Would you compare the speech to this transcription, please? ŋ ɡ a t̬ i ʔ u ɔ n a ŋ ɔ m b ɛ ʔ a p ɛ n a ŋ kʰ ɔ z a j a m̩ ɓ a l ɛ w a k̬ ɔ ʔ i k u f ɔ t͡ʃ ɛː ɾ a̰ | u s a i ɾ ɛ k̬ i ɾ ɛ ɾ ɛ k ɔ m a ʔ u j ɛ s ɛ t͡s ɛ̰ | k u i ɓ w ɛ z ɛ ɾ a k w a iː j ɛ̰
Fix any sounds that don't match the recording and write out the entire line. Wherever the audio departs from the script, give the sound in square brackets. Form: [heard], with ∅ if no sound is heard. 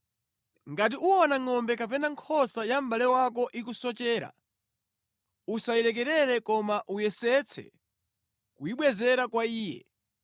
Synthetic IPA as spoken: ŋ ɡ a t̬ i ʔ u ɔ n a ŋ ɔ m b ɛ [k] a p ɛ n a ŋ kʰ ɔ [s] a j a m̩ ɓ a l ɛ w a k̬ ɔ ʔ i k u [s] ɔ t͡ʃ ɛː ɾ a̰ | u s a i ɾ ɛ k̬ [ɛ] ɾ ɛ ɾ ɛ k ɔ m a ʔ u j ɛ s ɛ [t͡sʰ] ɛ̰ | k u i ɓ w ɛ z ɛ ɾ a k w a iː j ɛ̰

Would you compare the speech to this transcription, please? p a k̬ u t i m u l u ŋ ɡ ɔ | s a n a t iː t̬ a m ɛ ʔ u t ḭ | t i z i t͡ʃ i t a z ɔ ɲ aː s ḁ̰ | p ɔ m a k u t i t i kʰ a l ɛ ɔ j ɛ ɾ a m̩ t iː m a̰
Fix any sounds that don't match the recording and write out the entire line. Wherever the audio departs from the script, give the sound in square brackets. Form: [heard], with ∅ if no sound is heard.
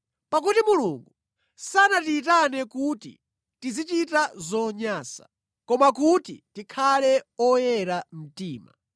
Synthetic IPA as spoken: p a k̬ u t i m u l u ŋ ɡ [u] | s a n a t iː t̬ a [n] ɛ [k] u t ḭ | t i z i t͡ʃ i t a z ɔ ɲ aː s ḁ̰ | [k] ɔ m a k u t i t i kʰ a l ɛ ɔ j ɛ ɾ a m̩ t iː m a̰

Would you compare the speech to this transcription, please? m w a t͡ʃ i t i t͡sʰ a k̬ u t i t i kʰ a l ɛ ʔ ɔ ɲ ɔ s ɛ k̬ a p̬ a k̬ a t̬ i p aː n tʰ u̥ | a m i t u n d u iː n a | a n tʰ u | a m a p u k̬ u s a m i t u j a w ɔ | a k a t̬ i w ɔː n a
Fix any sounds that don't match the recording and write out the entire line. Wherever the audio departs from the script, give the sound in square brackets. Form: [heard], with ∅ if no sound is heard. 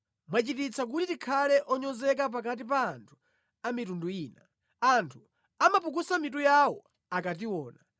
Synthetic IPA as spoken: m w a t͡ʃ i t i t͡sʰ a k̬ u t i t i kʰ a l ɛ ʔ ɔ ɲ ɔ [z] ɛ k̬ a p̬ a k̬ a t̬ i p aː n tʰ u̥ | a m i t u n d u iː n a | a n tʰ u | a m a p u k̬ u s a m i t u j a w ɔ | a k a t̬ i w ɔː n a

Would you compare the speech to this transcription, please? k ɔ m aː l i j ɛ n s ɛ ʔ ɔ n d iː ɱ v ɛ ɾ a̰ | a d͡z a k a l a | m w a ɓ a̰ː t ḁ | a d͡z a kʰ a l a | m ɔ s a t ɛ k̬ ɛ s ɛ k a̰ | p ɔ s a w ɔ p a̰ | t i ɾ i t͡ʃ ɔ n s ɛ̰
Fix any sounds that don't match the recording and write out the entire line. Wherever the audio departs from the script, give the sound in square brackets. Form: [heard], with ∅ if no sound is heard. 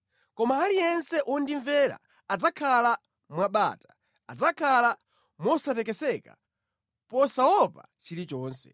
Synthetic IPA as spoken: k ɔ m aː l i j ɛ n s ɛ ʔ ɔ n d [i] ɱ v ɛ ɾ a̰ | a d͡z a [kʰ] a l a | m w a ɓ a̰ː t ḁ | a d͡z a kʰ a l a | m ɔ s a t ɛ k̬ ɛ s ɛ k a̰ | p ɔ s a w ɔ p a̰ | [t͡ʃ] i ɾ i t͡ʃ [ɔː] n s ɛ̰

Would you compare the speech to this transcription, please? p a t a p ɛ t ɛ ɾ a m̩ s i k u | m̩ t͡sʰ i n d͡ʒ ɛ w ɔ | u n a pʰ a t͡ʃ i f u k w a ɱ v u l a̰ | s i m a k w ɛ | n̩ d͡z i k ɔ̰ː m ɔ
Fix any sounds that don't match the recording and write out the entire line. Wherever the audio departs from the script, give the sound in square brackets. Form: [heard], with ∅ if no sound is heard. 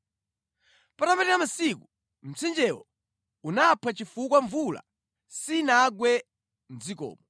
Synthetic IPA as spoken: p a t a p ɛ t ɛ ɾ a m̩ s i k u | m̩ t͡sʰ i n d͡ʒ ɛ w ɔ | u n a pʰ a t͡ʃ i f u k w a ɱ v u l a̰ | s i [n] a [ɡ] w ɛ | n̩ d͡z i k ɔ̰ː m ɔ

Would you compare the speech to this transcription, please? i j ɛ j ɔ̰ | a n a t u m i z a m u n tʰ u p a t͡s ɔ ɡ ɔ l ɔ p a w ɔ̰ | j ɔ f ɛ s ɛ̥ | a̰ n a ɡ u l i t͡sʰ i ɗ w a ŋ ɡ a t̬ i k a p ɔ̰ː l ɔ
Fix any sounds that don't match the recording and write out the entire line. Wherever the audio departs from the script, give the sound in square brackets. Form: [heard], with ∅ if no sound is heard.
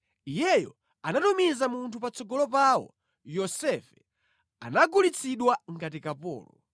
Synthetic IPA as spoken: i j ɛ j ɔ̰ | a n a t u m i z a m u n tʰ u p a t͡s ɔ ɡ ɔ l ɔ p a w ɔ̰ | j ɔ [s] ɛ [f] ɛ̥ | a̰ n a ɡ u l i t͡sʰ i ɗ w a ŋ ɡ a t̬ i k a p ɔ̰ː l ɔ

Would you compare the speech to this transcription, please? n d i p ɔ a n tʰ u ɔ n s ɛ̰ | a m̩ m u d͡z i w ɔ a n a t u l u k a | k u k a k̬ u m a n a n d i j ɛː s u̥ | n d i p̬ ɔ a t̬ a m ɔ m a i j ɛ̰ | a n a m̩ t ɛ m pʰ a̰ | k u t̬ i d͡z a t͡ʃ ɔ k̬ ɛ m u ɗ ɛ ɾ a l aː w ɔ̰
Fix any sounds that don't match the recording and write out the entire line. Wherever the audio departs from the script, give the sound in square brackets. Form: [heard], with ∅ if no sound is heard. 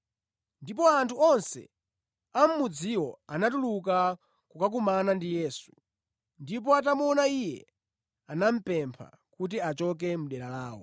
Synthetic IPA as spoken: n d i p ɔ a n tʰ u ɔ n s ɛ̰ | a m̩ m u d͡z i w ɔ a n a t u l u k a | k u k a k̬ u m a n a n d i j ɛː s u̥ | n d i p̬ ɔ a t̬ a m ɔ [n] a i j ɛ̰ | a n a m̩ [p] ɛ m pʰ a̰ | k u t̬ i [∅] a t͡ʃ ɔ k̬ ɛ m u ɗ ɛ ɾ a l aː w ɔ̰

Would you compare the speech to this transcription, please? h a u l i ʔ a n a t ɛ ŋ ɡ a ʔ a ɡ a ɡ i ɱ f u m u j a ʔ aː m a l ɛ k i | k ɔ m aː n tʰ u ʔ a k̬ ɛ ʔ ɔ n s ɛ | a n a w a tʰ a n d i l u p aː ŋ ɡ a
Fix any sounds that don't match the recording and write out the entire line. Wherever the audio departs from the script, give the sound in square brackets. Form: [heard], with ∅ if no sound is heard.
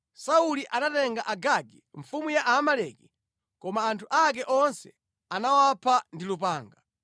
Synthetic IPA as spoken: [s] a u l i ʔ a n a t ɛ ŋ ɡ a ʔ a ɡ a ɡ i ɱ f u m u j a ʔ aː m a l ɛ k i | k ɔ m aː n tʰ u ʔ a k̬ ɛ ʔ ɔ n s ɛ | a n a w a [pʰ] a n d i l u p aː ŋ ɡ a

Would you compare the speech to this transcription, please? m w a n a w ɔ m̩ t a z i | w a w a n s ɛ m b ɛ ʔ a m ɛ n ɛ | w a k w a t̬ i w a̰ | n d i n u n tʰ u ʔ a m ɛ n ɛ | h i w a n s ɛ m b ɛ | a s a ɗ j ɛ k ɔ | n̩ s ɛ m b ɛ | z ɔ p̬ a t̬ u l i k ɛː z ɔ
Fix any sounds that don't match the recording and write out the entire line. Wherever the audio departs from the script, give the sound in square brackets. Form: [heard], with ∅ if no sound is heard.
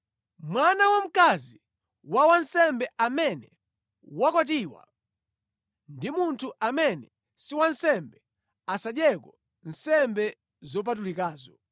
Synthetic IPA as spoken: m w a n a w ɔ m̩ [k] a z i | w a w a n s ɛ m b ɛ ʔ a m ɛ n ɛ | w a k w a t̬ i w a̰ | n d i [m] u n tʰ u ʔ a m ɛ n ɛ | [s] i w a n s ɛ m b ɛ | a s a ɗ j ɛ k ɔ | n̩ s ɛ m b ɛ | z ɔ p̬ a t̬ u l i k [aː] z ɔ

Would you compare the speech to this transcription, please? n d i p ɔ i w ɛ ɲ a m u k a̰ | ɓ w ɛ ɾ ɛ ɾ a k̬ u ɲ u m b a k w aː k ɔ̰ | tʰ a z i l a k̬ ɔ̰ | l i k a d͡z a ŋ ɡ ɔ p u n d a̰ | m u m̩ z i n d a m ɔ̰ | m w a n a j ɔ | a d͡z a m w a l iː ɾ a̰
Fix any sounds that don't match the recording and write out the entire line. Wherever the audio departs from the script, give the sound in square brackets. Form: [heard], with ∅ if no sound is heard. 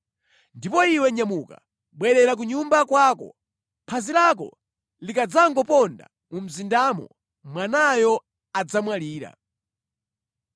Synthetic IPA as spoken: n d i p ɔ i w ɛ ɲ a m u k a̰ | ɓ w ɛ ɾ ɛ ɾ a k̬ u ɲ u m b a k w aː k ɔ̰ | [pʰ] a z i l a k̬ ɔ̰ | l i k a d͡z a ŋ ɡ ɔ p [ɔ] n d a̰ | m u m̩ z i n d a m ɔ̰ | m w a n a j ɔ | a d͡z a m w a l iː ɾ a̰

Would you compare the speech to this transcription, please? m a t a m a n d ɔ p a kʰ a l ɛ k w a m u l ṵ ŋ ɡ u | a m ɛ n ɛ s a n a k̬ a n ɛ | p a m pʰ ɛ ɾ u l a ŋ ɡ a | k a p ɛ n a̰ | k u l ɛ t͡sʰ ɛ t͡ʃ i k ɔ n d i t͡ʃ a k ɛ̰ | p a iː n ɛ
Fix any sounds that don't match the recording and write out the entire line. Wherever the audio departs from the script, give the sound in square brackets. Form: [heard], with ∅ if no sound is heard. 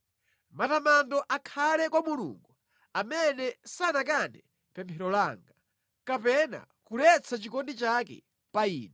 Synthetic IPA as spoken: m a t a m a n d ɔ [ʔ] a kʰ a l ɛ k w a m u l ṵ ŋ ɡ u | a m ɛ n ɛ s a n a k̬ a n ɛ | p [ɛ] m pʰ ɛ ɾ [ɔ] l a ŋ ɡ a | k a p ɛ n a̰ | k u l ɛ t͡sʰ [a] t͡ʃ i k ɔ n d i t͡ʃ a k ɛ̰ | p a iː n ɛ

